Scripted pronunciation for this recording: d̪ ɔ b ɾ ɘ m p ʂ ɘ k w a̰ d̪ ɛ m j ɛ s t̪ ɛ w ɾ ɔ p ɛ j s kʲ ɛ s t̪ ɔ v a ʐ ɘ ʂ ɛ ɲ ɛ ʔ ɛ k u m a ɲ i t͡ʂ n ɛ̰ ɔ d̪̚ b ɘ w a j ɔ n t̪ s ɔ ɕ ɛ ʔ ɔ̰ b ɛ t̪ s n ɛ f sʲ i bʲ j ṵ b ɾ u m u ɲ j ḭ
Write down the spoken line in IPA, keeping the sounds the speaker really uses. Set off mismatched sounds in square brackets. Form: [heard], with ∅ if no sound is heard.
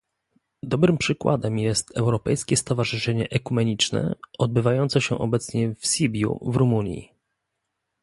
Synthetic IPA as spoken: d̪ ɔ b ɾ ɘ m p ʂ ɘ k w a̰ d̪ ɛ m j ɛ s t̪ ɛ w ɾ ɔ p ɛ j s kʲ ɛ s t̪ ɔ v a ʐ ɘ ʂ ɛ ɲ ɛ ʔ ɛ k u m [ɛ] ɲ i t͡ʂ n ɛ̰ ɔ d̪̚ b ɘ [v] a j ɔ n t̪ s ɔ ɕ ɛ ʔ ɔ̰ b ɛ t̪ s [ɲ] ɛ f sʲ i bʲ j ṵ [v] ɾ u m u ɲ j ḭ